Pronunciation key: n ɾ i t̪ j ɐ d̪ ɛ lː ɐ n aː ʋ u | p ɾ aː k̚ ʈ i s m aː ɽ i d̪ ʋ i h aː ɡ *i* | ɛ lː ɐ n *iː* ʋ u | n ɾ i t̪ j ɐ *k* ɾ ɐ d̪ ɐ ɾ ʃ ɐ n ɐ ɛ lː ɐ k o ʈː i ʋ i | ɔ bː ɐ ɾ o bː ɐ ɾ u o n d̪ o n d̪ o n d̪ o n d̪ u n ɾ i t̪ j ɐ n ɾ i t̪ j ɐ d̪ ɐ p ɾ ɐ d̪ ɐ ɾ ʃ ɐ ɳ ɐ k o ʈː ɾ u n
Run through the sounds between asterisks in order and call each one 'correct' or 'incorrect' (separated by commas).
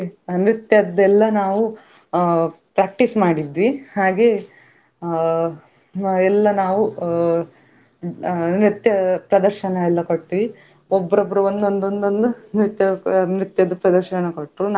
incorrect, incorrect, incorrect